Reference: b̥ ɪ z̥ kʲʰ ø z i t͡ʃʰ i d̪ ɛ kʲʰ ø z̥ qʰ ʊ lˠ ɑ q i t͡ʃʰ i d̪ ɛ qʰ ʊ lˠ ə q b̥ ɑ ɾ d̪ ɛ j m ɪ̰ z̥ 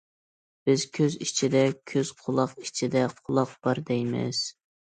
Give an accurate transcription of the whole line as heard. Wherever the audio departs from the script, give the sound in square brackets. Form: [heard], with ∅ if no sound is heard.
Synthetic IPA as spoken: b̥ ɪ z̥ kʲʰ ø z i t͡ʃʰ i d̪ ɛ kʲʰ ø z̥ qʰ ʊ lˠ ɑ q i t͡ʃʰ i d̪ ɛ qʰ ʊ lˠ [ɑ] q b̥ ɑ ɾ d̪ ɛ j m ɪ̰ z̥